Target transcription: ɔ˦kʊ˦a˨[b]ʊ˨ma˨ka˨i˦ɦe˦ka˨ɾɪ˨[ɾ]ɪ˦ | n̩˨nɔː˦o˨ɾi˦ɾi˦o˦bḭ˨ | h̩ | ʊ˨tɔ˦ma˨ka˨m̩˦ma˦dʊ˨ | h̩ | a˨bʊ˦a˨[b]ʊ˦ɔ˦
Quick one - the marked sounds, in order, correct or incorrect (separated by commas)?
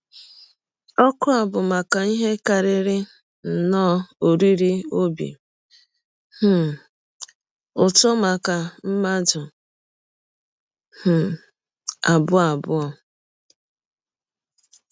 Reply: correct, correct, correct